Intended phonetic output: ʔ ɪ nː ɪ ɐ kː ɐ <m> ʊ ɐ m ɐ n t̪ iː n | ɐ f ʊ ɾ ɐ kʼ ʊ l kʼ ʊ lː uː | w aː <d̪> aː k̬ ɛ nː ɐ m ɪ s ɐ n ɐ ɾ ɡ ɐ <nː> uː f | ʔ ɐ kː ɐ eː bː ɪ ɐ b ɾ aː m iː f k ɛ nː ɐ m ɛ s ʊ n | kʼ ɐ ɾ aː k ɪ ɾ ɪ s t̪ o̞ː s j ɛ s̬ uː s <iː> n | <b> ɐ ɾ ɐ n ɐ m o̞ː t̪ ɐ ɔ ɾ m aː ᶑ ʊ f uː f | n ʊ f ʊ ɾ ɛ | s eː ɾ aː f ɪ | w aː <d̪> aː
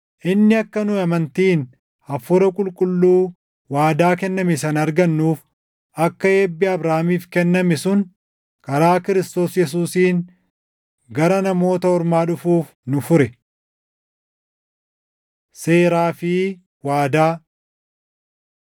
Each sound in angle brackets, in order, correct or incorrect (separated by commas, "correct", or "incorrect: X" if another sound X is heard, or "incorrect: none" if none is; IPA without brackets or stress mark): incorrect: n, correct, correct, correct, incorrect: ɡ, correct